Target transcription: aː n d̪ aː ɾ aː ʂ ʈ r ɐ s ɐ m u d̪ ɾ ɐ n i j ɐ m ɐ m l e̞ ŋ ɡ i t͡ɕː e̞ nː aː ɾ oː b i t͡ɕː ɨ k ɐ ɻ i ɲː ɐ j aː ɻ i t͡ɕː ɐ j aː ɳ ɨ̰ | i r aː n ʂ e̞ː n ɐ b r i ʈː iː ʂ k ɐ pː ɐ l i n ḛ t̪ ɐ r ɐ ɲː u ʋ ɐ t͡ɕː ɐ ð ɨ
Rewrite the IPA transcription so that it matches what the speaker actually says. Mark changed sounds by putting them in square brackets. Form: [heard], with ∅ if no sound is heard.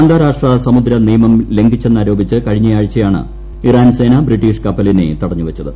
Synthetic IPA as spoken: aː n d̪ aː ɾ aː ʂ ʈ r ɐ s ɐ m u d̪ ɾ ɐ n i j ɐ m ɐ m l e̞ ŋ ɡ i t͡ɕː e̞ nː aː ɾ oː b i t͡ɕː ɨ k ɐ ɻ i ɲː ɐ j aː ɻ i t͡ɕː ɐ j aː ɳ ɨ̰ | i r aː n [s] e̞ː n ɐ b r i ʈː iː ʂ k ɐ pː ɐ l i n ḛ t̪ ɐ [ɽ] ɐ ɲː u ʋ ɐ t͡ɕː ɐ ð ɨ